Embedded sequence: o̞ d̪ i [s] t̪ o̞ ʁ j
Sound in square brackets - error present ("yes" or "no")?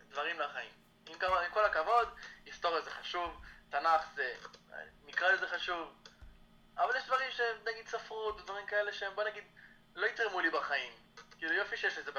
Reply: no